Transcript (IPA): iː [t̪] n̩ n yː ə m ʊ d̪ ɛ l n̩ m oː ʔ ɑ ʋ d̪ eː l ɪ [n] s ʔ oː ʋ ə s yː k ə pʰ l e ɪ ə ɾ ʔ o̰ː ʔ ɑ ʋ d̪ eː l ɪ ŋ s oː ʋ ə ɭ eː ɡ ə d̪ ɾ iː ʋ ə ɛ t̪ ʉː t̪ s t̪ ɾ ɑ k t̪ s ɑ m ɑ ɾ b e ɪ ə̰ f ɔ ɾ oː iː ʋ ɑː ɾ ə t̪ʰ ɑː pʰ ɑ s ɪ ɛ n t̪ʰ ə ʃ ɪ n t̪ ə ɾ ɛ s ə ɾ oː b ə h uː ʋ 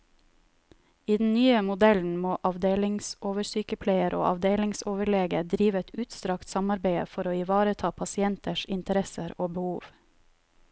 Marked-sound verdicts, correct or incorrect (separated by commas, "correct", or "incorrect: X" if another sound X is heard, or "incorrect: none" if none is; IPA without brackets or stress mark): incorrect: d̪, incorrect: ŋ